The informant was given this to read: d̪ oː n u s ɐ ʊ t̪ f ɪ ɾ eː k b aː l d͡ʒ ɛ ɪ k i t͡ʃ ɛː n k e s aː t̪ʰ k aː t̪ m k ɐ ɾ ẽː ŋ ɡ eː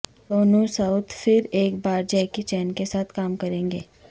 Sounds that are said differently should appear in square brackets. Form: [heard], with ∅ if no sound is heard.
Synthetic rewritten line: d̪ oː n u s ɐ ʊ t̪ f ɪ ɾ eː k b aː [ɾ] d͡ʒ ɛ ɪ k i t͡ʃ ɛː n k e s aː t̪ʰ k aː [∅] m k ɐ ɾ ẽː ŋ ɡ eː

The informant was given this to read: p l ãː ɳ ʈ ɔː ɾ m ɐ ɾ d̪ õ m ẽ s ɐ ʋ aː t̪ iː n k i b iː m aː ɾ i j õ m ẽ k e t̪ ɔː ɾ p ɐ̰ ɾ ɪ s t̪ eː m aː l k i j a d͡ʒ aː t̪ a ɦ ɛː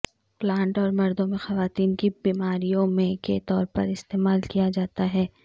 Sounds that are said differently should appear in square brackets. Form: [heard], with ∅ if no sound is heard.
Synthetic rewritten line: p l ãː ɳ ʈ ɔː ɾ m ɐ ɾ d̪ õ m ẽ [x] ɐ ʋ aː t̪ iː n k i b iː m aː ɾ i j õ m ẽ k e t̪ ɔː ɾ p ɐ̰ ɾ ɪ s t̪ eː m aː l k i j a d͡ʒ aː t̪ a ɦ ɛː

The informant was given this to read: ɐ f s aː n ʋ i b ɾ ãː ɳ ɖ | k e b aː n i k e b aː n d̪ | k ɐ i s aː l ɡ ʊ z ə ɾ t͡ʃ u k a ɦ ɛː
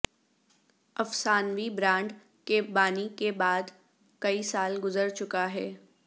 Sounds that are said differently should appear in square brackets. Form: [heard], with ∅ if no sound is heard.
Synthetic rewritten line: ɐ f s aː n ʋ i b ɾ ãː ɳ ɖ | k e b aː n i k e b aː [∅] d̪ | k ɐ i s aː l ɡ ʊ z ə ɾ t͡ʃ [ʊ] k a ɦ ɛː

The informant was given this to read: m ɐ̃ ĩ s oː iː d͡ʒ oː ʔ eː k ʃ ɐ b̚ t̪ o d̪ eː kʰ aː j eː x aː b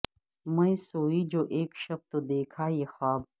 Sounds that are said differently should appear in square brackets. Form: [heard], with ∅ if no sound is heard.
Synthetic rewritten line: m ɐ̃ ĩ s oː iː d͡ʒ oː ʔ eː k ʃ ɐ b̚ t̪ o d̪ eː kʰ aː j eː x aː b

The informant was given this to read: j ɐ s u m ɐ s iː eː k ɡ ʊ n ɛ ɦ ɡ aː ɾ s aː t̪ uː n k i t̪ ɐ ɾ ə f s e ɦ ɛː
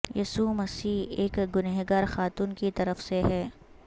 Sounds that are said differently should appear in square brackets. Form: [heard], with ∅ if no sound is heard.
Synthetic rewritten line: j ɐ s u m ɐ s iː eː k ɡ ʊ n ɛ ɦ ɡ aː ɾ [x] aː t̪ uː n k i t̪ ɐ ɾ ə f s e ɦ ɛː

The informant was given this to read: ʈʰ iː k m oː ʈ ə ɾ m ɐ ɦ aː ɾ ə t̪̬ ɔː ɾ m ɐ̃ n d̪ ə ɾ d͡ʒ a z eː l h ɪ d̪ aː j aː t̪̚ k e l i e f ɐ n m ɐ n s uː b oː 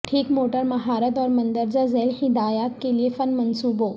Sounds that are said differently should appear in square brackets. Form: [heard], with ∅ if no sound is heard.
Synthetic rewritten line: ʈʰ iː k m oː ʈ ə ɾ m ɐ ɦ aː ɾ ə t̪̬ ɔː ɾ m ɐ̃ n d̪ ə ɾ d͡ʒ a z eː l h ɪ d̪ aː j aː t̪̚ k e l i e f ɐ n m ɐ n s uː b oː

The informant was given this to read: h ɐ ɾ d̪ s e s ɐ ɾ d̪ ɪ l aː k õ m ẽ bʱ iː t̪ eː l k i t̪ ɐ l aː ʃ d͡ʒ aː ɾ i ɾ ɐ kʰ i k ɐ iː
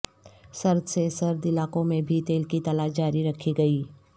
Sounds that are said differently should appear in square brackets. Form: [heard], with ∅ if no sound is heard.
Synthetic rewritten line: [s] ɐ ɾ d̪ s e s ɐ ɾ d̪ ɪ l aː k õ m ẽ bʱ [i] t̪ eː l k i t̪ ɐ l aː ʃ d͡ʒ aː ɾ i ɾ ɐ kʰ i [ɡ] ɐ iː

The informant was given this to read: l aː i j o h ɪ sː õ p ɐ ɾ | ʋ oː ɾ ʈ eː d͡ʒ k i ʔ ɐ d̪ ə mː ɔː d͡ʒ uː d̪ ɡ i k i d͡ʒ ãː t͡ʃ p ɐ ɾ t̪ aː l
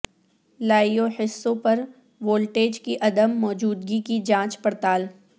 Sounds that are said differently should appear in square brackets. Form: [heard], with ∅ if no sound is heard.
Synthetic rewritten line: l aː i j o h ɪ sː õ p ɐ ɾ | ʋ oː [l] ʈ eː d͡ʒ k i ʔ ɐ d̪ ə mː ɔː d͡ʒ uː d̪ ɡ i k i d͡ʒ ãː t͡ʃ p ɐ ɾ t̪ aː l

